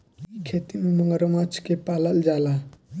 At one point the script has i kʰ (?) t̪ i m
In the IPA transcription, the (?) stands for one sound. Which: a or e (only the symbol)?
e